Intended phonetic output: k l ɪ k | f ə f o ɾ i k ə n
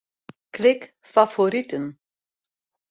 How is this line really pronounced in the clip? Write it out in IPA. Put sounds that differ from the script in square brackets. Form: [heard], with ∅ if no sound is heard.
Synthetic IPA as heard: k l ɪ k | f [a] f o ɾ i [t] ə n